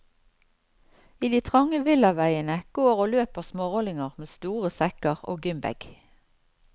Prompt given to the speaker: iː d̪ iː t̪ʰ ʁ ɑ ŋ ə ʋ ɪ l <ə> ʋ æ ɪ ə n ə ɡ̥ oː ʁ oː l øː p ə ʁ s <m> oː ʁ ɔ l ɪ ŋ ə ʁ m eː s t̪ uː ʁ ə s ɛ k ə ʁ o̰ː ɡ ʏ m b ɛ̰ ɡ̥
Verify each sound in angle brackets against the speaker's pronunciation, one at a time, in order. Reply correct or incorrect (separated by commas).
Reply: incorrect, correct